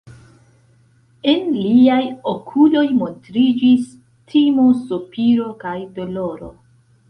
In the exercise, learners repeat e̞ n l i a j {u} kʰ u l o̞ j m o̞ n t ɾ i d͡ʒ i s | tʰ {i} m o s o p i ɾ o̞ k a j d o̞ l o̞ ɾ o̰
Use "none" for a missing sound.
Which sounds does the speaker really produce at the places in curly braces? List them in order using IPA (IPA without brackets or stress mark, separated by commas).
o, i